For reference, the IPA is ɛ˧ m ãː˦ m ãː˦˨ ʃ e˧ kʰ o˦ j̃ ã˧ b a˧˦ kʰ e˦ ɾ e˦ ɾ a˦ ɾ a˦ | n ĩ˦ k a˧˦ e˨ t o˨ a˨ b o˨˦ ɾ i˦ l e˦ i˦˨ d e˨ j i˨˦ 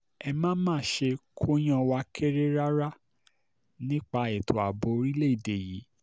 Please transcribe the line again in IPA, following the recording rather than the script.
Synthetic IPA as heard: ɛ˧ m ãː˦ m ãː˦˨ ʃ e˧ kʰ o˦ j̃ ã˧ w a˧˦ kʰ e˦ ɾ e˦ ɾ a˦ ɾ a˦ | n ĩ˦ k͡p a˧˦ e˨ t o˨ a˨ b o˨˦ ɾ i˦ l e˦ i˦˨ d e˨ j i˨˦